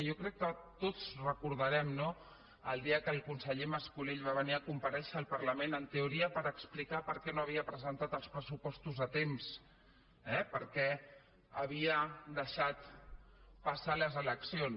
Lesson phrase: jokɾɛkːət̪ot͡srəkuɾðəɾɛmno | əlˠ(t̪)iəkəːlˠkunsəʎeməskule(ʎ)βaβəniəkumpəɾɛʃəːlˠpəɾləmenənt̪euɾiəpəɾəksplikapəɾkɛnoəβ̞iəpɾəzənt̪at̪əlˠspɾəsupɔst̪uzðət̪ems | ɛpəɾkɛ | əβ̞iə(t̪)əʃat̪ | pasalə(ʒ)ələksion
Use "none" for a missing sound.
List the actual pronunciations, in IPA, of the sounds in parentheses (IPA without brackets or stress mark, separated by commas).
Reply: d̪, ʎ, d̪, z